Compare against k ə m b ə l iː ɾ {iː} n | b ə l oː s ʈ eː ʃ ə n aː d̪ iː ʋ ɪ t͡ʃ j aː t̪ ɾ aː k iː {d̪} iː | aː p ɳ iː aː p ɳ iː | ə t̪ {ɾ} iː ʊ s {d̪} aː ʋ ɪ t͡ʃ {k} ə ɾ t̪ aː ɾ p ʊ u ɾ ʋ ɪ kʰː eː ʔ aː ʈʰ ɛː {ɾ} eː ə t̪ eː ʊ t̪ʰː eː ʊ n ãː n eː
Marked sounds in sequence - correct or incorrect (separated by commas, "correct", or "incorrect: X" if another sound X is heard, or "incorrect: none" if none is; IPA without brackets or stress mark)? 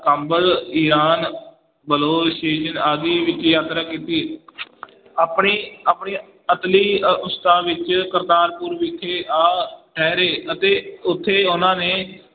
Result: incorrect: aː, incorrect: t̪, incorrect: l, incorrect: t̪, correct, correct